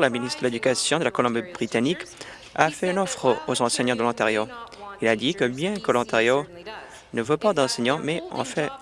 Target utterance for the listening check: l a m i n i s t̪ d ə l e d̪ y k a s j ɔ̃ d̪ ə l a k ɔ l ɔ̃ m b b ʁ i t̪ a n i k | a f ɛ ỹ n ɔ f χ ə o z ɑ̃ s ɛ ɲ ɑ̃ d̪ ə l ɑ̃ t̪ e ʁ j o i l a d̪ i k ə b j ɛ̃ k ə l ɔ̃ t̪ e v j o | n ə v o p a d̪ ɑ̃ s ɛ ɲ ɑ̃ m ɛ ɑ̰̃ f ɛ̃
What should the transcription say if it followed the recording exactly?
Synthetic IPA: l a m i n i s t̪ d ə l e d̪ y k a s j ɔ̃ d̪ ə l a k ɔ l ɔ̃ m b b ʁ i t̪ a n i k | a f ɛ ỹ n ɔ f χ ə o z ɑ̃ s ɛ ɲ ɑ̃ d̪ ə l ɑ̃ t̪ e ʁ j o i l a d̪ i k ə b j ɛ̃ k ə l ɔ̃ t̪ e ʁ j o | n ə v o p a d̪ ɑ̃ s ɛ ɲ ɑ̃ m ɛ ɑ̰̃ f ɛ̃